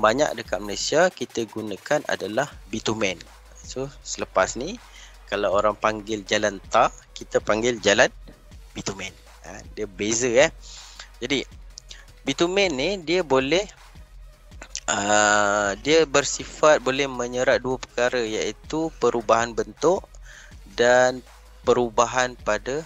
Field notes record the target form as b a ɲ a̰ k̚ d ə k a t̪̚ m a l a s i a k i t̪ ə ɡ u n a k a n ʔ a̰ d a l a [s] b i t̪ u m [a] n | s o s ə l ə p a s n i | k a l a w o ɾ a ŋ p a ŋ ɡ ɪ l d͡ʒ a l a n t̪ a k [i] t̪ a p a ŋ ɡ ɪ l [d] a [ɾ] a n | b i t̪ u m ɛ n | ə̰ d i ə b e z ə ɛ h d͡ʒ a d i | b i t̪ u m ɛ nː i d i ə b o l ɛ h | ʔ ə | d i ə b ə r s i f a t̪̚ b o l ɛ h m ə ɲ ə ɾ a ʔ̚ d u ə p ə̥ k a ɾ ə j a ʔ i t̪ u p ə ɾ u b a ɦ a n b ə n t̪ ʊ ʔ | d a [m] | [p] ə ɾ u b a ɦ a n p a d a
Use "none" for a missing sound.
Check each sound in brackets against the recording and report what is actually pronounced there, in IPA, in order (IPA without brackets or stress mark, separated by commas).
h, ɛ, i, d͡ʒ, l, n, p